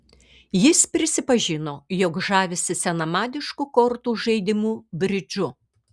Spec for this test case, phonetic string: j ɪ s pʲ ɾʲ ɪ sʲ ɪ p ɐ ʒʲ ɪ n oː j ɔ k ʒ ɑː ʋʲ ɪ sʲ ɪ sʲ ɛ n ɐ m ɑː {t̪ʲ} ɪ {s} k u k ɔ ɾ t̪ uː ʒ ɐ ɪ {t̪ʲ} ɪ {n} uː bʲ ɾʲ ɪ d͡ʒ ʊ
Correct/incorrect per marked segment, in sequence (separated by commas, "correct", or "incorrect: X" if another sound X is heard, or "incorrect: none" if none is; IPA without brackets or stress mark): incorrect: d̪ʲ, incorrect: ʃ, incorrect: d̪ʲ, incorrect: m